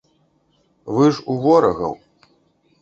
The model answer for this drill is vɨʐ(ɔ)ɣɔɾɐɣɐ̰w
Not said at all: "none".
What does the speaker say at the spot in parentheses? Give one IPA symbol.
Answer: u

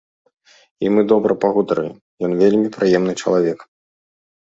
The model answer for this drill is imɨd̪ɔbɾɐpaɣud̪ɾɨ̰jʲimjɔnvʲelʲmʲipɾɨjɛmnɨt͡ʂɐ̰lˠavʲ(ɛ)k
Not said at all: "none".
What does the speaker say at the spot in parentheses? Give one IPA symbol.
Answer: ɛ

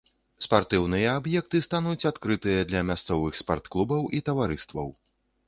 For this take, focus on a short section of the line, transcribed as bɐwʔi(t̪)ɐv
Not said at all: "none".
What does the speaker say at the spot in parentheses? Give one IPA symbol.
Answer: t̪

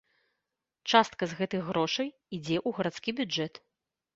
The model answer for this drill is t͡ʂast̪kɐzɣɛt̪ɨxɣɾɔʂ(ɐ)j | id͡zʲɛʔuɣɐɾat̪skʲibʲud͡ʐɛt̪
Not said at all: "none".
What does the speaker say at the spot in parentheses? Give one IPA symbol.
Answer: ɐ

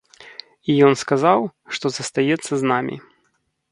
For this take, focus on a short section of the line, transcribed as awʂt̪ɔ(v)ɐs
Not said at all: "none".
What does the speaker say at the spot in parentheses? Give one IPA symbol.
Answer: z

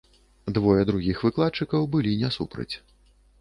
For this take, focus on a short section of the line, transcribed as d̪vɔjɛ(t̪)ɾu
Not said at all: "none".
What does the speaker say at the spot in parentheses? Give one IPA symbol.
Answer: d̪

